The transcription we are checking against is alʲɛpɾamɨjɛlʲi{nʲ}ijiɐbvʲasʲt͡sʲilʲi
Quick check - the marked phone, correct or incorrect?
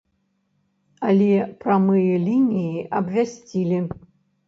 correct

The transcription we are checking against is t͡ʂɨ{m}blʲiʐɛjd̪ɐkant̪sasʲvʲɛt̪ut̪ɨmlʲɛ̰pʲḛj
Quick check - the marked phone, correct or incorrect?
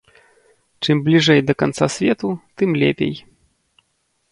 correct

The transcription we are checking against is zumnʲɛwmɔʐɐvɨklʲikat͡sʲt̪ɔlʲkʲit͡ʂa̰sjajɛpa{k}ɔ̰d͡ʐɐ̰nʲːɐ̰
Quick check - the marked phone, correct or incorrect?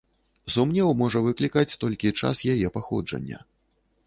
incorrect: x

